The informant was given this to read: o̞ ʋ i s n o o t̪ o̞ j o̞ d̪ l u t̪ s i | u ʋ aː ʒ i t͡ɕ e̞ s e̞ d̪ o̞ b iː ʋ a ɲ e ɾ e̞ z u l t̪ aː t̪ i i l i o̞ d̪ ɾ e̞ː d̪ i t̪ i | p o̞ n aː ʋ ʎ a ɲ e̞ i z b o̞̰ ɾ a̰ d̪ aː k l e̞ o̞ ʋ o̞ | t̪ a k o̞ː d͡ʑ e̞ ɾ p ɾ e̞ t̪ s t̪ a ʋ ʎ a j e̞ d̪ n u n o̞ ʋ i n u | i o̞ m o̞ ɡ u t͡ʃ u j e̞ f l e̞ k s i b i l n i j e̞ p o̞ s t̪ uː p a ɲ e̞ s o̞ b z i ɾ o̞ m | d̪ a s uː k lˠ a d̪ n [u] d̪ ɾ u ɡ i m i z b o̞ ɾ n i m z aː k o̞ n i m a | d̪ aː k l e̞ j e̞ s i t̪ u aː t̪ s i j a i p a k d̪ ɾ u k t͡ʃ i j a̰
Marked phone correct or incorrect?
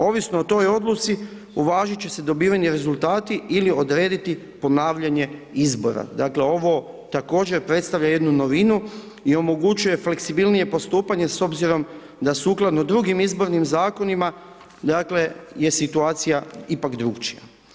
incorrect: o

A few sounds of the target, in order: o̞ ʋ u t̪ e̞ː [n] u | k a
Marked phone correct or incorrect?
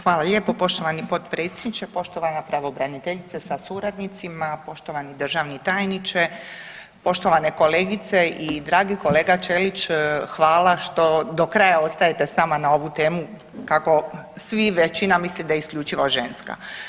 incorrect: m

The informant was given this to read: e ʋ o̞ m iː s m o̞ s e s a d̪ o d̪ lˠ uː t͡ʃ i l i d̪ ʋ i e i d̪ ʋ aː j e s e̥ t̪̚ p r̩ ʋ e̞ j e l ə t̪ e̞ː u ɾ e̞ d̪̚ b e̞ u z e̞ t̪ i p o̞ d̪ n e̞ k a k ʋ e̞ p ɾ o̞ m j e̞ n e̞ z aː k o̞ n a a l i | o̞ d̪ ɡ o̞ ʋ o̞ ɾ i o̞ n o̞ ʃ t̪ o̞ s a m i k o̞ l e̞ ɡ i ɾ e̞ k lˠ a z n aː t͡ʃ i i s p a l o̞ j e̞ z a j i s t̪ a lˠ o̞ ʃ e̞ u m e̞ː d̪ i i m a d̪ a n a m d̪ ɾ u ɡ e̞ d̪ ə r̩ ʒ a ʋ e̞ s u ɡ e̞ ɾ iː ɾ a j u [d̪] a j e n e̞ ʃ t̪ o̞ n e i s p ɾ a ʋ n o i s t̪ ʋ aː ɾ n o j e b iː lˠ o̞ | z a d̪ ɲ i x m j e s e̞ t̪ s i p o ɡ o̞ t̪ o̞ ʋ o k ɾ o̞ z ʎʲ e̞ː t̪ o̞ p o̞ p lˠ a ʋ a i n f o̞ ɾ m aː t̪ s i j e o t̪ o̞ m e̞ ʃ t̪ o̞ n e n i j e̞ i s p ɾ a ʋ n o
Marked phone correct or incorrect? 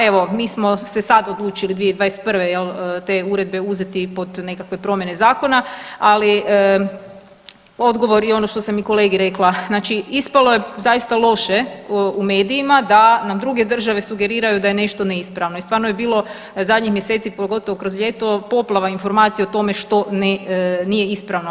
correct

